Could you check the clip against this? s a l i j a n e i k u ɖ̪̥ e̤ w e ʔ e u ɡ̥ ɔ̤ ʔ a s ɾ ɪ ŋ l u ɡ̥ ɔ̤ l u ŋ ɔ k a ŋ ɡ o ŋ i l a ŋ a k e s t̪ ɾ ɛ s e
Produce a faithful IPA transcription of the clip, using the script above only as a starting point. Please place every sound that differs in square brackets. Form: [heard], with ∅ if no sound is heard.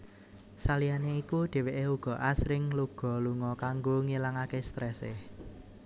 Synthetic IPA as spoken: s a l i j a n e i k u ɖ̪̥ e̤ w e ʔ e u ɡ̥ ɔ̤ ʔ a s ɾ ɪ ŋ l u ɡ̥ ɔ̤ l u ŋ ɔ k a ŋ ɡ o ŋ i l a ŋ a k e s t̪ ɾ ɛ s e